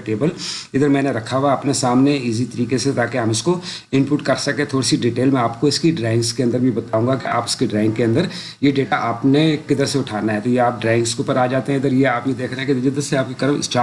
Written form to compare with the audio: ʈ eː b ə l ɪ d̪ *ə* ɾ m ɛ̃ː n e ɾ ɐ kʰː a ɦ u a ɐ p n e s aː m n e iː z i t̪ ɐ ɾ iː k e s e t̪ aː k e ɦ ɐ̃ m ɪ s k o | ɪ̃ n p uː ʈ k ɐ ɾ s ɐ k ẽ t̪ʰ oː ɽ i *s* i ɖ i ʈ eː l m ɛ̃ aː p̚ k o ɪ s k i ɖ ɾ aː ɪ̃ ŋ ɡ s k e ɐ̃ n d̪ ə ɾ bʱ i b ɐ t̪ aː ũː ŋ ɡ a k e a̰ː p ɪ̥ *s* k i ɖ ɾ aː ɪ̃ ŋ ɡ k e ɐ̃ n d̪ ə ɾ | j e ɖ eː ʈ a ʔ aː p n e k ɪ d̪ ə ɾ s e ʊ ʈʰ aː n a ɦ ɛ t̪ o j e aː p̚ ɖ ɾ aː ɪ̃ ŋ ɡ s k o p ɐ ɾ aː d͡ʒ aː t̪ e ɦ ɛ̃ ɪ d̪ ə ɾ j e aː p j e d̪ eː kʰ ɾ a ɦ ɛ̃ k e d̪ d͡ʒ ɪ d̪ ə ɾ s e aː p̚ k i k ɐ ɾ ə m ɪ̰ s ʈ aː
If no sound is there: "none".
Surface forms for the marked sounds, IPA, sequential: ə, s, s

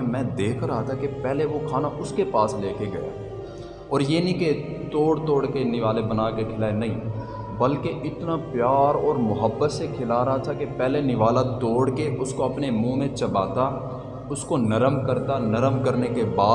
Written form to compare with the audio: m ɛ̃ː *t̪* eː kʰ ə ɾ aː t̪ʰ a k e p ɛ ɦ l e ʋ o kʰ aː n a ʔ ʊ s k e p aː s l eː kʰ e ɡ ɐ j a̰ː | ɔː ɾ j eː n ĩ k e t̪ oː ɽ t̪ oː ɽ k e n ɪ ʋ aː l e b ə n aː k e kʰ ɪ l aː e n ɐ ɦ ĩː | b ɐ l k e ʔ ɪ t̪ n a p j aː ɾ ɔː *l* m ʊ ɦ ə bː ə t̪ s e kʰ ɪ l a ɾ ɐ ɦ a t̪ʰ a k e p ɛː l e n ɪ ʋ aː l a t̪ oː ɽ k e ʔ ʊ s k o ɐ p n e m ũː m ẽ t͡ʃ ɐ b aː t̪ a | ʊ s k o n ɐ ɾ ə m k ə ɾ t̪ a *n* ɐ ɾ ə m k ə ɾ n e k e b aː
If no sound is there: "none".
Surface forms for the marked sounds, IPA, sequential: d̪, ɾ, n

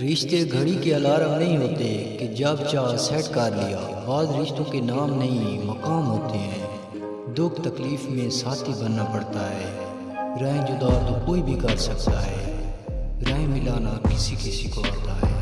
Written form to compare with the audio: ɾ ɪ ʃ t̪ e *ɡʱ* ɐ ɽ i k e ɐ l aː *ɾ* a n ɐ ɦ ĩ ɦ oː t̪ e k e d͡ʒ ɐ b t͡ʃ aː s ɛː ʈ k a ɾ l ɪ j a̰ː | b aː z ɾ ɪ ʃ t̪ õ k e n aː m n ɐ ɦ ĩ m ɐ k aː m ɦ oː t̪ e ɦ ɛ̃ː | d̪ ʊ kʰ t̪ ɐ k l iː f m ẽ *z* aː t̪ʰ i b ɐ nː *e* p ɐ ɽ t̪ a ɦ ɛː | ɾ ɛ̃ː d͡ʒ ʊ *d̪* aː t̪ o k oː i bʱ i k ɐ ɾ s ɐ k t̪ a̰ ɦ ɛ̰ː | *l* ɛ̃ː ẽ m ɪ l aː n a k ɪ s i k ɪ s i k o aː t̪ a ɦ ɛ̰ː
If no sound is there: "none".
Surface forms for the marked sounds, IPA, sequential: ɡʱ, ɾ, s, a, d̪, ɾ

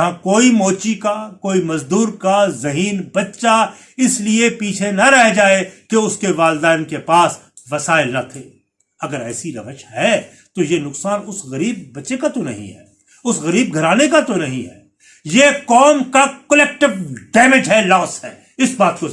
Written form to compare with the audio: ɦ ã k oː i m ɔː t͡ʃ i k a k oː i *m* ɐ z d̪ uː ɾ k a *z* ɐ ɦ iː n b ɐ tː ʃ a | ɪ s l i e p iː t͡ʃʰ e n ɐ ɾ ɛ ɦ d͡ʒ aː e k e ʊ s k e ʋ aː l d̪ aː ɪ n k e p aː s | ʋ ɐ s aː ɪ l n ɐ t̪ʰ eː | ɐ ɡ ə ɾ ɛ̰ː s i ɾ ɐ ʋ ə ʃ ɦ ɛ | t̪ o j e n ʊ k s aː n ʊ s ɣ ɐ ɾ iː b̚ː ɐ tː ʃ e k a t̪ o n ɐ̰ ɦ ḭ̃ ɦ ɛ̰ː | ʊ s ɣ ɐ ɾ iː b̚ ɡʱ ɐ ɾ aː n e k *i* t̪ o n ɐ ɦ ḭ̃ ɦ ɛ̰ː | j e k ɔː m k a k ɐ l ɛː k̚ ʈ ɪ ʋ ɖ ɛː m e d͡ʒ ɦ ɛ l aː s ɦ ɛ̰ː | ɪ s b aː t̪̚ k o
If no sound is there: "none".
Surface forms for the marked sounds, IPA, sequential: m, z, a

